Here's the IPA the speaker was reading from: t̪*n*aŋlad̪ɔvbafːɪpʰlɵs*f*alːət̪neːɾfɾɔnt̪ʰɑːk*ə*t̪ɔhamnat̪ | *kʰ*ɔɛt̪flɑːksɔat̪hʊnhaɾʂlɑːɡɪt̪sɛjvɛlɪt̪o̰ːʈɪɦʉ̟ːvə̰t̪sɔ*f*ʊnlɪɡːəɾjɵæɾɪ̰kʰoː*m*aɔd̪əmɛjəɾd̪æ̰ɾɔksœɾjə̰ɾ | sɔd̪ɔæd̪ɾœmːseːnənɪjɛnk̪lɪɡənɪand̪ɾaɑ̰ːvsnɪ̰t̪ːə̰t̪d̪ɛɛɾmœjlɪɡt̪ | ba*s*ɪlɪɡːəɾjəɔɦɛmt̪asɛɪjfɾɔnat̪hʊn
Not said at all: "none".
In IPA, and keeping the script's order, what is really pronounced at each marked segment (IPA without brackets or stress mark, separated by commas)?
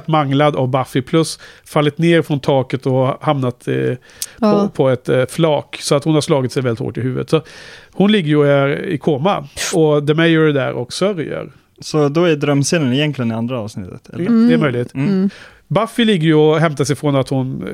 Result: m, f, ə, pʰ, h, m, f